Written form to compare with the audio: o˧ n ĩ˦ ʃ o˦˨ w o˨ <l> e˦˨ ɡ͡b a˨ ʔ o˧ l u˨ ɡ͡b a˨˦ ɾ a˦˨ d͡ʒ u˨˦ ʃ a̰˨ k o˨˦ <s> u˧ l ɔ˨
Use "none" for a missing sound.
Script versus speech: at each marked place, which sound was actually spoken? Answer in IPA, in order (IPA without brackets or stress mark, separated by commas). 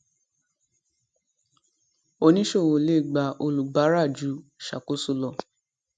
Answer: l, s